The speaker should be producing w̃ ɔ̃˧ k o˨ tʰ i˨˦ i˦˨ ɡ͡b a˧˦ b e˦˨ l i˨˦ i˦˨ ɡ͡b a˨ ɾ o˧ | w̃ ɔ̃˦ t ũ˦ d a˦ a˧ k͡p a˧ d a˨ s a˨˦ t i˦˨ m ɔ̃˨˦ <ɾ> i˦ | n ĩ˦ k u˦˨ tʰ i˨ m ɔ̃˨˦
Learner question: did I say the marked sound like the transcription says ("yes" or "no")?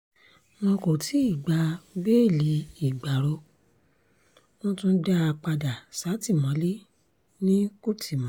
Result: no